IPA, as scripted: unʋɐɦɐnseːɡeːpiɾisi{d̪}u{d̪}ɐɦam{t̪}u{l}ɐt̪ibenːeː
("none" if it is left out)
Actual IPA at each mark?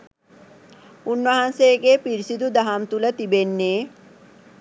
d̪, d̪, t̪, l

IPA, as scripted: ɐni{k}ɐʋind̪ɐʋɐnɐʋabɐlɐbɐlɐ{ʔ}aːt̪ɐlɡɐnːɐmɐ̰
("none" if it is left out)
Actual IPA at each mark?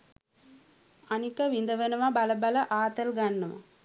k, ʔ

